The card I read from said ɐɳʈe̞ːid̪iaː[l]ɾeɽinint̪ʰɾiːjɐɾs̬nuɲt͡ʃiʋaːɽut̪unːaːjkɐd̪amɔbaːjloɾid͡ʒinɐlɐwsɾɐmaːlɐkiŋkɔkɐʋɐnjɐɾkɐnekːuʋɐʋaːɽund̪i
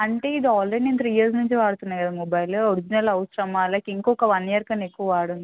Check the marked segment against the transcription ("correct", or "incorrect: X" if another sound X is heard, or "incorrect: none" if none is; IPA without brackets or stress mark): correct